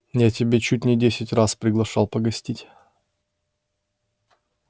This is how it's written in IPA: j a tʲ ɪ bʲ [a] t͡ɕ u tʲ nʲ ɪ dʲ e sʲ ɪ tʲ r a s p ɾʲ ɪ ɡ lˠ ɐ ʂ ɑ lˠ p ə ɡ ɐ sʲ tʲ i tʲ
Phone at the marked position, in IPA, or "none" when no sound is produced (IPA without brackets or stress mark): e